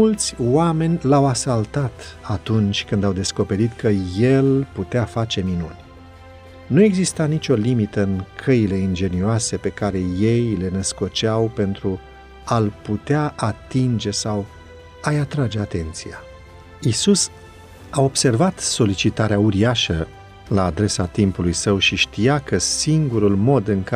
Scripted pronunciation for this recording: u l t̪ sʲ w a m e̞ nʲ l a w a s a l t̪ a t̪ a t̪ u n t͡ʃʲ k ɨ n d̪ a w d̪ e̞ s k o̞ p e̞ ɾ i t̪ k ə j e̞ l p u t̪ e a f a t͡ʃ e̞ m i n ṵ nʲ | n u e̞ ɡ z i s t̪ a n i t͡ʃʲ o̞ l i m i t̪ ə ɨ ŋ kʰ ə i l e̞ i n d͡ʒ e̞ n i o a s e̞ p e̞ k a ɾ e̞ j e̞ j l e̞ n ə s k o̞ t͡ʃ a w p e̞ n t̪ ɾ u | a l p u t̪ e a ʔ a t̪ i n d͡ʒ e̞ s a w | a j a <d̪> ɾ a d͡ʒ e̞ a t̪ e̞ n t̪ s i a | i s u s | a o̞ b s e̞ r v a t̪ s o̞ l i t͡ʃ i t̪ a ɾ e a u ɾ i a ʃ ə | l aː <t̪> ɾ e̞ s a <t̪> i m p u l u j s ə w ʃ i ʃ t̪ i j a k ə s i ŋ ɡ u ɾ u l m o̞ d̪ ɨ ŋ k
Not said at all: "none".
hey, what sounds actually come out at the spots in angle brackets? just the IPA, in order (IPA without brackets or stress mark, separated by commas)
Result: t̪, d̪, t̪